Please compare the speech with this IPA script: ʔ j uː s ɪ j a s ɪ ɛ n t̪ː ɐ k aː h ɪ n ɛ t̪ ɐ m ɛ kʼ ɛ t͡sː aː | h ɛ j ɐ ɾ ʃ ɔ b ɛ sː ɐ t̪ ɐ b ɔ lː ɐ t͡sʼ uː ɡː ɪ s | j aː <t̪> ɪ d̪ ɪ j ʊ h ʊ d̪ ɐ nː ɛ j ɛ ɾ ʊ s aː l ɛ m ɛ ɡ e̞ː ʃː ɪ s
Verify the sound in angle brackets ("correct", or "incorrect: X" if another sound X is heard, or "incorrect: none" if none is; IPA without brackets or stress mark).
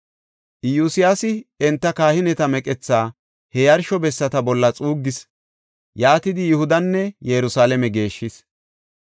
correct